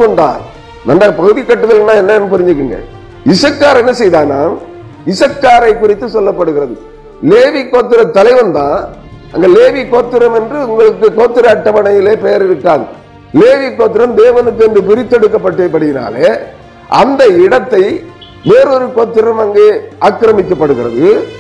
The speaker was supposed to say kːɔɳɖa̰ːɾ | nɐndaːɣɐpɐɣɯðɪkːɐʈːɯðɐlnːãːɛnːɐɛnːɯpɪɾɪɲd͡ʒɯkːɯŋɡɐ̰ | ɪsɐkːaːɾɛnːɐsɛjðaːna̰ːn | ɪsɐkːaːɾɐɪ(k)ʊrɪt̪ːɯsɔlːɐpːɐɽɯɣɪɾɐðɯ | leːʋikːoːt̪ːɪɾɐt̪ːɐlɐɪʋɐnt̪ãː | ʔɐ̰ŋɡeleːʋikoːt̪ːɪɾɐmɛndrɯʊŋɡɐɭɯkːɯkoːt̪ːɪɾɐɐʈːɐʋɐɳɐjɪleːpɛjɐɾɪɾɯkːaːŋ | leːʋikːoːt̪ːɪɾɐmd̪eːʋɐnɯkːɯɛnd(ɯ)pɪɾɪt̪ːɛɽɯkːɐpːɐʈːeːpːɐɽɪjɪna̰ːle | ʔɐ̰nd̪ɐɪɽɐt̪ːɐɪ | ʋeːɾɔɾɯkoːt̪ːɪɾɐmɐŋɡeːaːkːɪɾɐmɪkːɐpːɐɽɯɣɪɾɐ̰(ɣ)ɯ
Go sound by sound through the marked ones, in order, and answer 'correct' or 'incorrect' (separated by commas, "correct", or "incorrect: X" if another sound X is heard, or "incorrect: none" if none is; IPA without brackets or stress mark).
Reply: correct, correct, incorrect: ð